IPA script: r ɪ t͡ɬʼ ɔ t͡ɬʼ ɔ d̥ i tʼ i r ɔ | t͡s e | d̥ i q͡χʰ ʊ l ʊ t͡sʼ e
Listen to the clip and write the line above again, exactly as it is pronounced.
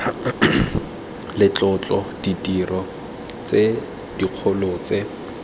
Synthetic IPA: l ɪ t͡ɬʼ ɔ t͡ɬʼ ɔ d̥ i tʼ i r ɔ | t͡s e | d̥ i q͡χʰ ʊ l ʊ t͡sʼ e